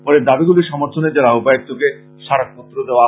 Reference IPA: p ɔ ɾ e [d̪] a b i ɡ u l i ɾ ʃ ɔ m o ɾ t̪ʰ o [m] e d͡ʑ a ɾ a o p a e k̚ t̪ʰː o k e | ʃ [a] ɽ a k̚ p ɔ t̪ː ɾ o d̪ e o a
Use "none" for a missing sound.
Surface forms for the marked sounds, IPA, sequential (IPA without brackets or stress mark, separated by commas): d̪, n, a